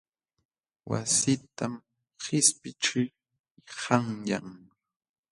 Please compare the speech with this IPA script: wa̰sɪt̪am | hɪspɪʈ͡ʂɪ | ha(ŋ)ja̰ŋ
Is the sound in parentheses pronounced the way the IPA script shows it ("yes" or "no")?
yes